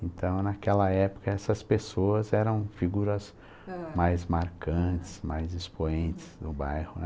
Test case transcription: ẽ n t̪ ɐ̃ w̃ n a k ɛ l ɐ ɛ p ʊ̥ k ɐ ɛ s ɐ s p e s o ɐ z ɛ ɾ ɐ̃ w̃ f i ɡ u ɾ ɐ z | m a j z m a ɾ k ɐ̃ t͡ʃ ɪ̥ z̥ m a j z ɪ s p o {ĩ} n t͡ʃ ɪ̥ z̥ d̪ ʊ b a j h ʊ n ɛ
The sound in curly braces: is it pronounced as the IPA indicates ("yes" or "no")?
no